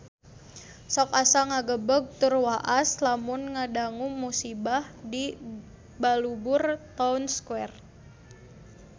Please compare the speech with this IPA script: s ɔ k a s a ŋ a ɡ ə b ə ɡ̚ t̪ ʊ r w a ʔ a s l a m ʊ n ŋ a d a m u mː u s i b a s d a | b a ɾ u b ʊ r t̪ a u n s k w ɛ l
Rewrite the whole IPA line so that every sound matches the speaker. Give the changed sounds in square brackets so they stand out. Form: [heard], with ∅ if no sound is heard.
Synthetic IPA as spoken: s ɔ k a s a ŋ a ɡ ə b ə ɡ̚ t̪ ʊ r w a ʔ a s l a m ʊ n ŋ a d a [ŋ] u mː u s i b a [h] d [i] | b a [l] u b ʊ r t̪ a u n s k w ɛ [r]